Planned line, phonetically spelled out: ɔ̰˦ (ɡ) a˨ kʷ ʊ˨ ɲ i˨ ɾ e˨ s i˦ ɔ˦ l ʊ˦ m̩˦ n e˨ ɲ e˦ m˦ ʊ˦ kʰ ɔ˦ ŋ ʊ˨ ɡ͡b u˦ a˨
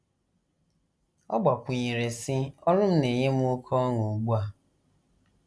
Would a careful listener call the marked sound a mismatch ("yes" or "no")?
yes